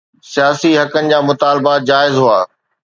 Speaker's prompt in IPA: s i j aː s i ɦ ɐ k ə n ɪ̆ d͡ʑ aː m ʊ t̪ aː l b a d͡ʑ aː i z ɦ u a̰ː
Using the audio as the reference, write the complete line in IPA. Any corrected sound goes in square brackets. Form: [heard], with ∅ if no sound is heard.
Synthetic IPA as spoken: s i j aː s i ɦ ɐ k ə n ɪ̆ d͡ʑ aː m ʊ t̪ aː l b a d͡ʑ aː [ɪ] z ɦ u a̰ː